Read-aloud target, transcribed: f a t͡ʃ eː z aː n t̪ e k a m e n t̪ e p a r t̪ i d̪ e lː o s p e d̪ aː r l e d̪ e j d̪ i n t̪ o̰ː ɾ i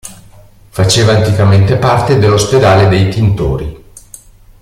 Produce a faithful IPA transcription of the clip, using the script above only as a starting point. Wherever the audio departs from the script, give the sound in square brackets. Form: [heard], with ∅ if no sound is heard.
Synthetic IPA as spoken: f a t͡ʃ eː [v] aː n t̪ [i] k a m e n t̪ e p a r t̪ [e] d̪ e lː o s p e d̪ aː [∅] l e d̪ e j [t̪] i n t̪ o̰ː ɾ i